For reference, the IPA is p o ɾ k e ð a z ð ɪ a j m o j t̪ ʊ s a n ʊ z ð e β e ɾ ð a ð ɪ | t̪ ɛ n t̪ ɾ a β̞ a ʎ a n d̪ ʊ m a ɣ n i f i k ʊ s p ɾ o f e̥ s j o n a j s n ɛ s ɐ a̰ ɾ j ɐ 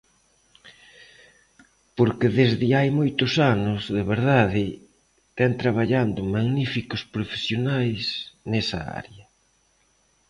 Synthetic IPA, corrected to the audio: p o ɾ k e ð e z ð ɪ a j m o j t̪ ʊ s a n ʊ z ð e β e ɾ ð a ð ɪ | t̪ ɛ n t̪ ɾ a β̞ a ʎ a n d̪ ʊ m a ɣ n i f i k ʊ s p ɾ o f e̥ s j o n a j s n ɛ s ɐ a̰ ɾ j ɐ